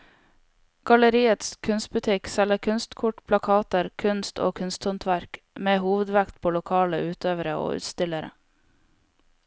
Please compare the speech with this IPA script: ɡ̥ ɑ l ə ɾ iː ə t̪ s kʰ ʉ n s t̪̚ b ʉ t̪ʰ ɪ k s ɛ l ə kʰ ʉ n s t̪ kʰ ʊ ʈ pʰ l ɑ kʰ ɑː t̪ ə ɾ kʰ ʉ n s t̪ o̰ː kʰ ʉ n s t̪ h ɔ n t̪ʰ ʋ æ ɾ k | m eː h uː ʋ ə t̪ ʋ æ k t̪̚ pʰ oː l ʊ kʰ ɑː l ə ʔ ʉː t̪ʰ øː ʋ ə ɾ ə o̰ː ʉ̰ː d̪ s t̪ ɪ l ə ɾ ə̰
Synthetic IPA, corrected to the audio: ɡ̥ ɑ l ə ɾ iː ə t̪ s kʰ ʉ n s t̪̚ b ʉ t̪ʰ ɪ k s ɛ l ə kʰ ʉ n s t̪ kʰ ʊ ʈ pʰ l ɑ kʰ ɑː t̪ ə ɾ kʰ ʉ n s t̪ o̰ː kʰ ʉ n s t̪ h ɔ n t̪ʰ ʋ æ ɾ k | m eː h uː ʋ ə d̪ ʋ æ k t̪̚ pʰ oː l ʊ kʰ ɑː l ə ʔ ʉː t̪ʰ øː ʋ ə ɾ ə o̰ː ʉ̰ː t̪ s t̪ ɪ l ə ɾ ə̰